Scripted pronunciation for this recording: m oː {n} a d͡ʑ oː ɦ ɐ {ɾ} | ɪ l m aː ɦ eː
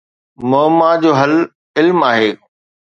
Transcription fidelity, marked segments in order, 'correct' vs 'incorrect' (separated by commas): incorrect, incorrect